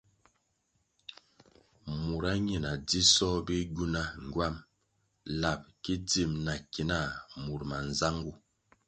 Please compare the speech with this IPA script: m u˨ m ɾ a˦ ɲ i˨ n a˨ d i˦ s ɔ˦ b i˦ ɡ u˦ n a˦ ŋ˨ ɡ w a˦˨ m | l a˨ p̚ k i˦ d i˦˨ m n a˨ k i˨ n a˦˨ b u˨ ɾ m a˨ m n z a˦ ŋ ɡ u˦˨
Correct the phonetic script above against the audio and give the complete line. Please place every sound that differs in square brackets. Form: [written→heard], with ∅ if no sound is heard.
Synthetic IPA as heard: m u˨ [m→∅] ɾ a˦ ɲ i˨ n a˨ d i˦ s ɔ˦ b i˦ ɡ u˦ n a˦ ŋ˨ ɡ w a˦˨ m | l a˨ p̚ k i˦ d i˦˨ m n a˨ k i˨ n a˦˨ [b→m] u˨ ɾ m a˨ [m→∅] n z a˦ ŋ ɡ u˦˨